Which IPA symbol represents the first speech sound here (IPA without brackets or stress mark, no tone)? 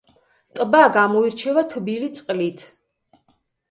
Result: t̪ʼ